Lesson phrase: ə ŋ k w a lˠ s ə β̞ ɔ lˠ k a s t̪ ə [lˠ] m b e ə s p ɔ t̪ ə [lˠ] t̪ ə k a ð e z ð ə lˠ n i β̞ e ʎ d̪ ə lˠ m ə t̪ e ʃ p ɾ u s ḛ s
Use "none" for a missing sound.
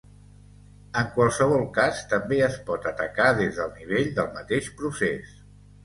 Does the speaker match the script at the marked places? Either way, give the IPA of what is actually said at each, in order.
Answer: none, none

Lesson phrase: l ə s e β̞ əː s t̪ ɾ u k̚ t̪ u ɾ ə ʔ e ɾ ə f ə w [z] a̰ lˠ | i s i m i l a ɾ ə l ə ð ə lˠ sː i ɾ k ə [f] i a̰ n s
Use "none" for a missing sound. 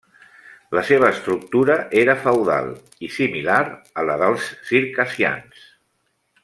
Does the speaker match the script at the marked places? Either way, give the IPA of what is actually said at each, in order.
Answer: ð, s

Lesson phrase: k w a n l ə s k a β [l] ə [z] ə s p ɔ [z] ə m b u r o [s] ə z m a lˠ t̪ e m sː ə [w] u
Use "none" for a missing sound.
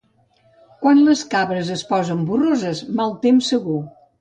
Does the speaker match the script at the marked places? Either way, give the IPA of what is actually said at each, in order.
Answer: ɾ, z, z, z, ɣ

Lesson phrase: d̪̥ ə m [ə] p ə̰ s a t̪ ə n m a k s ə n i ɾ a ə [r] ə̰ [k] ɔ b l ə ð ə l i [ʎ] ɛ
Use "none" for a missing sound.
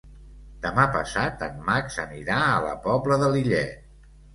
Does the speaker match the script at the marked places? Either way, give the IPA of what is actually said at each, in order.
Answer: a, l, p, ʎ

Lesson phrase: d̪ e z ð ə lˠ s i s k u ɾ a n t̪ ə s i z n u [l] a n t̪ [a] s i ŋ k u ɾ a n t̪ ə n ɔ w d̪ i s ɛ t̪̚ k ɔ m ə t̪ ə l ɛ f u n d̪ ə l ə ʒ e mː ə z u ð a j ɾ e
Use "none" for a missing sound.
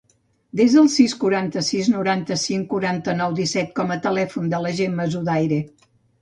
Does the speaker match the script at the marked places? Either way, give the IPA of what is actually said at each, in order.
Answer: ɾ, ə

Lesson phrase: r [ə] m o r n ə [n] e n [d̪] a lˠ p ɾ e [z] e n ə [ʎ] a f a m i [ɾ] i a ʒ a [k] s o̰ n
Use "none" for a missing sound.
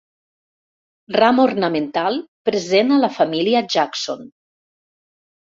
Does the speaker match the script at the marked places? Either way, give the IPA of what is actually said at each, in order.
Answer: a, m, t̪, z, l, l, k

